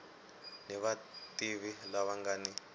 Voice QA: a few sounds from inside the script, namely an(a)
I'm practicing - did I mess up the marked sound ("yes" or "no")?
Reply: yes